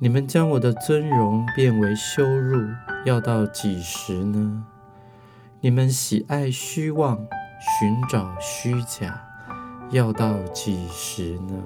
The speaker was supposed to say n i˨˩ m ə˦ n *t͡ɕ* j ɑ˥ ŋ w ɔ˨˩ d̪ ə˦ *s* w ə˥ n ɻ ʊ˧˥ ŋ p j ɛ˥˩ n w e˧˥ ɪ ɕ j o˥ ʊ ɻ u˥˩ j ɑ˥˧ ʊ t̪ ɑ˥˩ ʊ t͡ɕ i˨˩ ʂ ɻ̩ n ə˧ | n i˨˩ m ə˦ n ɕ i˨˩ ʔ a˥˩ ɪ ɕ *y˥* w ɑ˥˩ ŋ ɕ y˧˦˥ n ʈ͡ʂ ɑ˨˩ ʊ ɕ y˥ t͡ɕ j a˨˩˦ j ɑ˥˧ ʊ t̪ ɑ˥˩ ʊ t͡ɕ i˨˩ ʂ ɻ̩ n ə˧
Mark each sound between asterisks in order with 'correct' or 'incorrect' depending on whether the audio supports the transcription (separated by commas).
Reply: correct, incorrect, correct